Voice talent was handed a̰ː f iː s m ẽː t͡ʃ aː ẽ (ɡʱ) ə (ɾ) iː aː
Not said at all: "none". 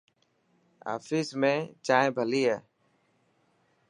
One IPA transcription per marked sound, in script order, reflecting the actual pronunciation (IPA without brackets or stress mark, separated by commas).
bʱ, l